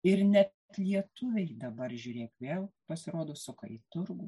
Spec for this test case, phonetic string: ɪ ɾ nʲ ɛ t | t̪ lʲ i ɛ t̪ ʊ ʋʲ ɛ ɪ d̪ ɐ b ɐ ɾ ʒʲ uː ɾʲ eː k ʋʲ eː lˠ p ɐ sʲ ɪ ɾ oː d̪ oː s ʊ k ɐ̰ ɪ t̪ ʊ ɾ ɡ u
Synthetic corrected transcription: ɪ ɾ nʲ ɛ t | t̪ lʲ i ɛ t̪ ʊ ʋʲ ɛ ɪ d̪ ɐ b ɐ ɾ ʒʲ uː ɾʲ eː k ʋʲ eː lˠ p ɐ sʲ ɪ ɾ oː d̪ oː s ʊ k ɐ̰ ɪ t̪ ʊ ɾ ɡ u